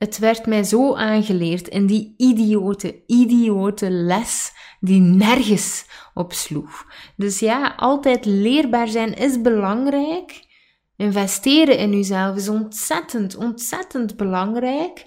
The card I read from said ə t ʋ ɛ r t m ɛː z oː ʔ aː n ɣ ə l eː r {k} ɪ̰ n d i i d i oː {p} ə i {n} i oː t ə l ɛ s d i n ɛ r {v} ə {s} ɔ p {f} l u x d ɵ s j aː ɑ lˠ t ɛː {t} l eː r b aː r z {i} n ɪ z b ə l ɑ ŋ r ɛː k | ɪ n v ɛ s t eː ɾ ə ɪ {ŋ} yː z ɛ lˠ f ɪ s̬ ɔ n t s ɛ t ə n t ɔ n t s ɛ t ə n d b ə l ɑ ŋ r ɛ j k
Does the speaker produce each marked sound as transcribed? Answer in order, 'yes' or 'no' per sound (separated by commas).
no, no, no, no, yes, no, yes, no, no